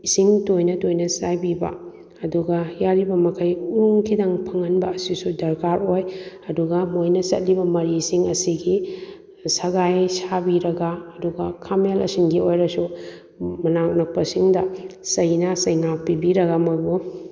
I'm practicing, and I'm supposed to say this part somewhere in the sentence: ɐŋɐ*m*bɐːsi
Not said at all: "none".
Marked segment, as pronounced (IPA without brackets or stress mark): n